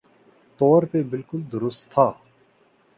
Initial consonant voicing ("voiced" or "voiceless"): voiceless